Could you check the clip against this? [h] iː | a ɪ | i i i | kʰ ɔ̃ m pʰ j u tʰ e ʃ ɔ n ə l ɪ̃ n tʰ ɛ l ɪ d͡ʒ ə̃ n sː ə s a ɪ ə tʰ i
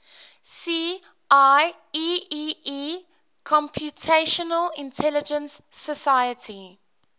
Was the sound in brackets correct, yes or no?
no